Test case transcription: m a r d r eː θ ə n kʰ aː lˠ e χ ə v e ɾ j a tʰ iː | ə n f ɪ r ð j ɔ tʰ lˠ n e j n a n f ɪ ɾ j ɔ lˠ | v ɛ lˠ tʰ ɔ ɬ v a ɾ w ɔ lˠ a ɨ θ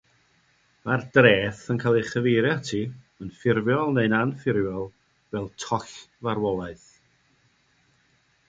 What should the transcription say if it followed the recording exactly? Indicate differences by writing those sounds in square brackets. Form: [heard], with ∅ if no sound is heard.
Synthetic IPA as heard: m a r d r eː θ ə n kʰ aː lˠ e χ ə v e ɾ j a tʰ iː | ə n f ɪ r [v] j ɔ [∅] lˠ n e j n a n f ɪ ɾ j ɔ lˠ | v ɛ lˠ tʰ ɔ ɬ v a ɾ w ɔ lˠ a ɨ θ